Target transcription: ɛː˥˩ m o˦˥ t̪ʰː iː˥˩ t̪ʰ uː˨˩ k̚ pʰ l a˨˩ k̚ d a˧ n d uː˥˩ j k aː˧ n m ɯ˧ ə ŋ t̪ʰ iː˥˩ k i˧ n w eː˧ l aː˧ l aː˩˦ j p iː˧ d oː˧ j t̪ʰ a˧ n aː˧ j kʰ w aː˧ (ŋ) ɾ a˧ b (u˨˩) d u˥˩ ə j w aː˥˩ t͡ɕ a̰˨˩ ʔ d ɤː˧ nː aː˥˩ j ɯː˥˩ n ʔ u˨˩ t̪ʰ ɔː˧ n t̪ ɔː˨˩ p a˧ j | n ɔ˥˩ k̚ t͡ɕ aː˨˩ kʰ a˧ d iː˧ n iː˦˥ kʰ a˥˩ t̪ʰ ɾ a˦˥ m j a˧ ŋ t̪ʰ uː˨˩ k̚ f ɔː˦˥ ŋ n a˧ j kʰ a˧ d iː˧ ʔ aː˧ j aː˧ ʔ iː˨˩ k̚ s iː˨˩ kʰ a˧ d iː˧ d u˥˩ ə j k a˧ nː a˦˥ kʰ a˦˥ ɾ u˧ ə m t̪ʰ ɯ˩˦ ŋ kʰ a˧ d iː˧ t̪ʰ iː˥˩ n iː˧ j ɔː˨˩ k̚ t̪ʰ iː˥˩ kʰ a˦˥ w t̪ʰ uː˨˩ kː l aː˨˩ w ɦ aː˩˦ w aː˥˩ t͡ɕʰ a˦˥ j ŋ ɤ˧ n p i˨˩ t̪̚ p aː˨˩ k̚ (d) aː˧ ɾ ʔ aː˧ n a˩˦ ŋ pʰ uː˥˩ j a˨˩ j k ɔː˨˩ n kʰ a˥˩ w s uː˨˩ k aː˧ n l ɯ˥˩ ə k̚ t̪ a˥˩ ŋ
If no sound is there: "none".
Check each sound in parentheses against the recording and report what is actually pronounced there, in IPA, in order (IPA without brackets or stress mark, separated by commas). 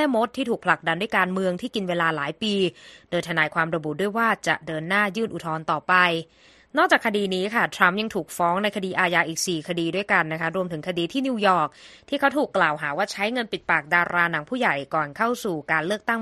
m, u˨˩, d